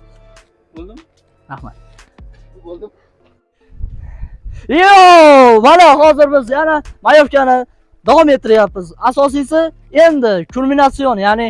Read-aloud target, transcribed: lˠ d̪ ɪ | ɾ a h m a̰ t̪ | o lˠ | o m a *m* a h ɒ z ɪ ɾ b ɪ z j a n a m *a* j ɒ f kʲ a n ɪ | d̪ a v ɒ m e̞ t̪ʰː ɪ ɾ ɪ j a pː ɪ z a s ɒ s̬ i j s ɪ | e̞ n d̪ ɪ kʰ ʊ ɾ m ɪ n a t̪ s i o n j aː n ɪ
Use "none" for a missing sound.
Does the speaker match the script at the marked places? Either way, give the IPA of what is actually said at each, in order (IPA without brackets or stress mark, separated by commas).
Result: n, a